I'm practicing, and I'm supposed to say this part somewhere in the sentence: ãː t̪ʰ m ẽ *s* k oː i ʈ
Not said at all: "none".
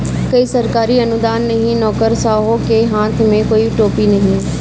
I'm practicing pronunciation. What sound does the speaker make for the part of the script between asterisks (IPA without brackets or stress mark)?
none